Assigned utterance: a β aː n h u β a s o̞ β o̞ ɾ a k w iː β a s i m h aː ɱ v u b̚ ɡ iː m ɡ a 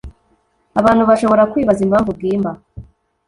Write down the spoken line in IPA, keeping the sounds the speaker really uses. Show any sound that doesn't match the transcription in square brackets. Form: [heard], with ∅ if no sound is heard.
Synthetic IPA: a β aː n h u β a [ʃ] o̞ β o̞ ɾ a k w iː β a [z] i m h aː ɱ v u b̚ ɡ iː m [b] a

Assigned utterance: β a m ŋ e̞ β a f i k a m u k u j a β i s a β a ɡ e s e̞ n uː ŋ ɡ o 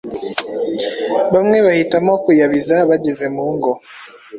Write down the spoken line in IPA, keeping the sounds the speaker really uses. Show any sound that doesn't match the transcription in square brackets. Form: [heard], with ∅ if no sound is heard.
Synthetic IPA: β a m ŋ e̞ β a [h] i [t] a m [o] k u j a β i [z] a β a [ɟ] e [z] e̞ [m] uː ŋ ɡ o

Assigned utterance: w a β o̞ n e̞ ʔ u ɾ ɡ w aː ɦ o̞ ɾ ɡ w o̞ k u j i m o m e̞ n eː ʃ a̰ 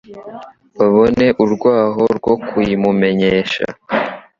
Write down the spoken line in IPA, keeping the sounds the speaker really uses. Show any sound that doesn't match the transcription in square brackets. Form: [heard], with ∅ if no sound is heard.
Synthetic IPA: [β] a β o̞ n e̞ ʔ u ɾ ɡ w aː ɦ o̞ ɾ ɡ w o̞ k u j i m [u] m e̞ [ɲ] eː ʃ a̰

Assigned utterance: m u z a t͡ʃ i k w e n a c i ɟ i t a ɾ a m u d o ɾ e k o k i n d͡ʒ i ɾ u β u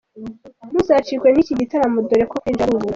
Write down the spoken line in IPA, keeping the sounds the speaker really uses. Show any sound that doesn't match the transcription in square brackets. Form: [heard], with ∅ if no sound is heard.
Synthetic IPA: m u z a t͡ʃ i k w e n [i] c i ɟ i t a ɾ a m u d o ɾ e k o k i n d͡ʒ [a] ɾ u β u

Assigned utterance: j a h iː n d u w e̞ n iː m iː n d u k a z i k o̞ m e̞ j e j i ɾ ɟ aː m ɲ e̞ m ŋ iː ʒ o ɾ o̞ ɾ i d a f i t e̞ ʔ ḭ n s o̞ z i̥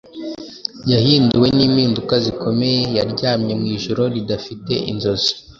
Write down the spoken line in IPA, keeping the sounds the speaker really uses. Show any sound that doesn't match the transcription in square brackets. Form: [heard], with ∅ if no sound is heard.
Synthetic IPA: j a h iː n d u w e̞ n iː m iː n d u k a z i k o̞ m e̞ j e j [a] ɾ ɟ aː m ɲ e̞ m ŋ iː ʒ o ɾ o̞ ɾ i d a f i t e̞ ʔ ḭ n [z] o̞ z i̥

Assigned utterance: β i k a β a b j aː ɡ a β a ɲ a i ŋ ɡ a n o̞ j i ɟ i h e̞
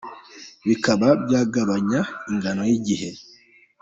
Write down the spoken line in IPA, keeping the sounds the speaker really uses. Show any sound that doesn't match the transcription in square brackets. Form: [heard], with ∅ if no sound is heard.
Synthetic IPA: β i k a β a b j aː ɡ a β a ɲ a i ŋ ɡ a n o̞ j i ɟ i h e̞

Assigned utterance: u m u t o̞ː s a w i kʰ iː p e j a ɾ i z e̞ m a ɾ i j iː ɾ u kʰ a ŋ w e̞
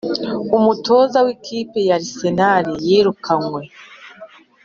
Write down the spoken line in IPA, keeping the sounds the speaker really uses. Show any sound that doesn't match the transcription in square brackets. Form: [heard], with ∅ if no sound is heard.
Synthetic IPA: u m u t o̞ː [z] a w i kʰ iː p e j a ɾ i [s] e̞ [n] a ɾ i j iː ɾ u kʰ a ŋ w e̞

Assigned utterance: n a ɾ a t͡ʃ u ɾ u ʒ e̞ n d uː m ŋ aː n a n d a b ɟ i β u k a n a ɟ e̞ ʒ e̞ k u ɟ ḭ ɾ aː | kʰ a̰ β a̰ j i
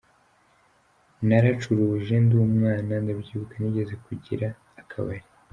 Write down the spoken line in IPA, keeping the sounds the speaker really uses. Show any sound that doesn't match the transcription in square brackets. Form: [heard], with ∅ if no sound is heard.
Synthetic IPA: n a ɾ a t͡ʃ u ɾ u ʒ e̞ n d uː m ŋ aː n a n d a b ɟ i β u k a n [i] ɟ e̞ [z] e̞ k u ɟ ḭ ɾ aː | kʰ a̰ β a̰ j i

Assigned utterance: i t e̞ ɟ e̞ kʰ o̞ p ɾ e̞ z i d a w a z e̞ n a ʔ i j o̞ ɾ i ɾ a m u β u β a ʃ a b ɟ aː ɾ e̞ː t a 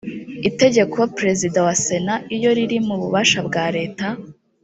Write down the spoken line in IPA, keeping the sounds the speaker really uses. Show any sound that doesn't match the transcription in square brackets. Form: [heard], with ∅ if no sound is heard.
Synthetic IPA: i t e̞ ɟ e̞ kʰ o̞ p ɾ e̞ z i d a w a [s] e̞ n a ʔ i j o̞ ɾ i ɾ [i] m u β u β a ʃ a b [ɡ] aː ɾ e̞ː t a

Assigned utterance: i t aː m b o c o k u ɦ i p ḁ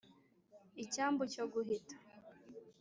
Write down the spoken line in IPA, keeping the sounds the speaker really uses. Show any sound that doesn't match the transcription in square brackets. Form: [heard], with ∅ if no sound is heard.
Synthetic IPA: i [c] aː m b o c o [ɡ] u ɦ i [t] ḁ

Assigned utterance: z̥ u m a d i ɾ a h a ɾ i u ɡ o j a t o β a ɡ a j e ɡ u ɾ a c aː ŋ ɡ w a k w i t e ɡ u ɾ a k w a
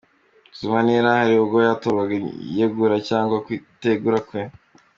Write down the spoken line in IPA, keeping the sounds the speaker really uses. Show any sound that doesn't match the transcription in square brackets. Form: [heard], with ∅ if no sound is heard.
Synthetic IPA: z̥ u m a [n] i ɾ a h a ɾ i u ɡ o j a t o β a ɡ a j e ɡ u ɾ a c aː ŋ ɡ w a k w i t e ɡ u ɾ a k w [e]

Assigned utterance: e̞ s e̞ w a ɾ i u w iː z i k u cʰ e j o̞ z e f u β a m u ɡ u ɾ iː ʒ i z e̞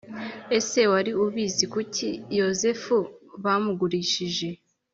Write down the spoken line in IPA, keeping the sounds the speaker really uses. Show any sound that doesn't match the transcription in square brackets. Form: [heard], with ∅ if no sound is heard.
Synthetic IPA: e̞ s e̞ w a ɾ i u [β] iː z i k u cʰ [i] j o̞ z e f u β a m u ɡ u ɾ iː [ʃ] i [ʒ] e̞

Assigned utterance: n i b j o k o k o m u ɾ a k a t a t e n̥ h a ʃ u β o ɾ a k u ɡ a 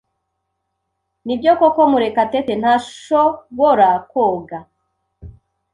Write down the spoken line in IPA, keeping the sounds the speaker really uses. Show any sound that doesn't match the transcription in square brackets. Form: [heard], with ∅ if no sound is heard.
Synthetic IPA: n i b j o k o k o m u ɾ [e] k a t [e] t e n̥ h a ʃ [o] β o ɾ a k [o] ɡ a

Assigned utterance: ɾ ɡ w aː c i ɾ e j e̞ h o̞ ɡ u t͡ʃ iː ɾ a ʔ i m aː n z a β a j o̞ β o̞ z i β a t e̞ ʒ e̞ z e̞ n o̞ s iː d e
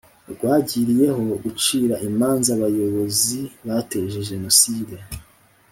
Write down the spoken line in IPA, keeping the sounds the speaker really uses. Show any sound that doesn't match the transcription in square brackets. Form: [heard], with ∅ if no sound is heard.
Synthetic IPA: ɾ ɡ w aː [ɟ] i ɾ [i] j e̞ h o̞ ɡ u t͡ʃ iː ɾ a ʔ i m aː n z a β a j o̞ β o̞ z i β a t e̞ ʒ e̞ [ʒ] e̞ n o̞ s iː d e

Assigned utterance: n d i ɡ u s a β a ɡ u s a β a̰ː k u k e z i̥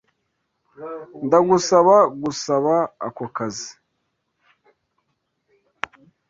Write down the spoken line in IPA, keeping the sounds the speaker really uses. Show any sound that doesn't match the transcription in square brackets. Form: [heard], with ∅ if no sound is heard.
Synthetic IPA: n d [a] ɡ u s a β a ɡ u s a β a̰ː k [o] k [a] z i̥

